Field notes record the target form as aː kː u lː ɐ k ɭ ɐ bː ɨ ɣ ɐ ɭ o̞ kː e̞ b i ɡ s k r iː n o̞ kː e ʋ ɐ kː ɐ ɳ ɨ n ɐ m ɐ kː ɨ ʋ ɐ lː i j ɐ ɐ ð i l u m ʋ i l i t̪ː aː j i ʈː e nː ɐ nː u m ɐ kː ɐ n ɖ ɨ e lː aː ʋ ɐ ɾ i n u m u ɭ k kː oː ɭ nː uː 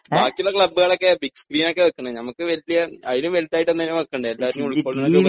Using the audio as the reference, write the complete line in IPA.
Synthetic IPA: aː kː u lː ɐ k ɭ ɐ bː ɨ ɣ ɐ ɭ o̞ kː e̞ b i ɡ s k r iː n o̞ kː e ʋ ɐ kː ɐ ɳ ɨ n ɐ m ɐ kː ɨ ʋ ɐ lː i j ɐ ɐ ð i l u m ʋ e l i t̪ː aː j i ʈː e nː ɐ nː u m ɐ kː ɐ ɳ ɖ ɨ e lː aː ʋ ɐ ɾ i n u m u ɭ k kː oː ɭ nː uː